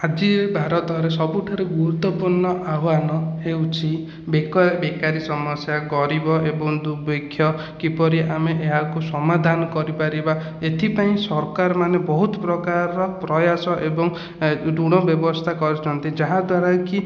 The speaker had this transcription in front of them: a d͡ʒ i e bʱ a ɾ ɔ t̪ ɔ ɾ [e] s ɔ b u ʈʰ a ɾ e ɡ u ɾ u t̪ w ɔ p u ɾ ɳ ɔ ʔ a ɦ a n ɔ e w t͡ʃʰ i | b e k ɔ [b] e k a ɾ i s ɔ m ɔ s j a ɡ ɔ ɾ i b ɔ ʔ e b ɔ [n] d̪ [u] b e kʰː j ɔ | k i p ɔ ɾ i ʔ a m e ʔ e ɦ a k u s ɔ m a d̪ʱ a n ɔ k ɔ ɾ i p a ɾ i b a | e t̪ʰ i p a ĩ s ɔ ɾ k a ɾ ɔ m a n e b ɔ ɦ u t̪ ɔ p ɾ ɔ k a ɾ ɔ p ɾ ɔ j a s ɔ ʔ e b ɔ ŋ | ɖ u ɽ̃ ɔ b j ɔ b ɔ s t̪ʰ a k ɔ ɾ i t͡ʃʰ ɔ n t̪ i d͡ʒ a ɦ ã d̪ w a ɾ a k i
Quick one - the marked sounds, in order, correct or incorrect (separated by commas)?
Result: correct, correct, incorrect, correct